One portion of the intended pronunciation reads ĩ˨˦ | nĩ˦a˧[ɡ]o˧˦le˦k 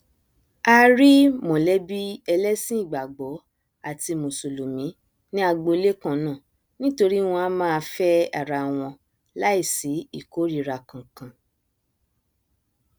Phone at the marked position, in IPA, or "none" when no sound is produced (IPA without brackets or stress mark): ɡ͡b